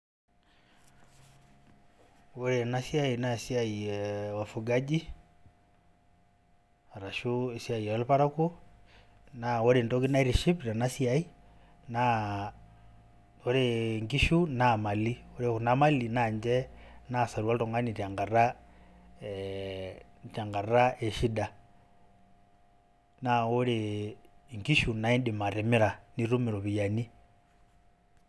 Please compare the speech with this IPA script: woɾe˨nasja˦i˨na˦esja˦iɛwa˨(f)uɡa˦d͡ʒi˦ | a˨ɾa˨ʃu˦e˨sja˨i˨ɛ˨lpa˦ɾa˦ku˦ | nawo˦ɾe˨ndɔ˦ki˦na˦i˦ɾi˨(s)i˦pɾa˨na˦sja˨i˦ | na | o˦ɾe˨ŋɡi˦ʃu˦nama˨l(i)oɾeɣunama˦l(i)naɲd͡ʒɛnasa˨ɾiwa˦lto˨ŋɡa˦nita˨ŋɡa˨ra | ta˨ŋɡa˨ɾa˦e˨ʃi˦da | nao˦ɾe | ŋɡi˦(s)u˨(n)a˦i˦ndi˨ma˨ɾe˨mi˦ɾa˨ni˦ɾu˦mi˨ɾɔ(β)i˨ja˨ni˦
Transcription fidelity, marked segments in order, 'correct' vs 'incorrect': correct, incorrect, correct, correct, incorrect, correct, correct

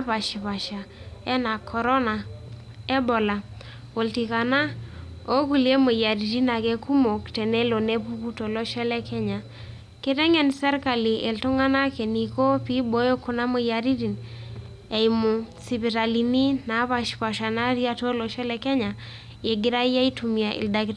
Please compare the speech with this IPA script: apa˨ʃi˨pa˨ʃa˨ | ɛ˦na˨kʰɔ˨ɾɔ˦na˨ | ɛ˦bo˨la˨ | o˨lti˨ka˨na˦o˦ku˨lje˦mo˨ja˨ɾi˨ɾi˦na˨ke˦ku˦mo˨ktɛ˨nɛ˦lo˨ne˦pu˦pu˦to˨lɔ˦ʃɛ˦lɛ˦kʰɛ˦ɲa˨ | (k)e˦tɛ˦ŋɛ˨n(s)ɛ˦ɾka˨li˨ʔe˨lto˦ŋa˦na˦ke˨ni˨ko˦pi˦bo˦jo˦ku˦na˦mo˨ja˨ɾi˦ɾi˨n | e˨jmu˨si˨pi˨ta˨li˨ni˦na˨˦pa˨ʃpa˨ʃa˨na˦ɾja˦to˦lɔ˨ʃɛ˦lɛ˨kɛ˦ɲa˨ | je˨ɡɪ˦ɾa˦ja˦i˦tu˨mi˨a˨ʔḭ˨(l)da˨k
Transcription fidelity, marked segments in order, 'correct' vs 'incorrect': correct, correct, correct

